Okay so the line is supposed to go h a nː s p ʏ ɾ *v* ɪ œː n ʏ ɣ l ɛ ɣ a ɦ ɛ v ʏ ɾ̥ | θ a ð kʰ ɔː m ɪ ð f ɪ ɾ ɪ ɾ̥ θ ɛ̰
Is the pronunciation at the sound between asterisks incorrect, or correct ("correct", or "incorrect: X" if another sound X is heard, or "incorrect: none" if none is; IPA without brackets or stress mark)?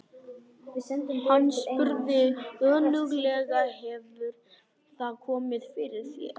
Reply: incorrect: ð